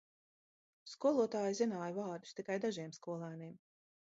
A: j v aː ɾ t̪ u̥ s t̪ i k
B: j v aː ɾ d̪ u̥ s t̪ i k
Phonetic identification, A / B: B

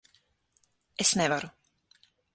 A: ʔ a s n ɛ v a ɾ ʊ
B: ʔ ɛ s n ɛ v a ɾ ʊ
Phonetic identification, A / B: B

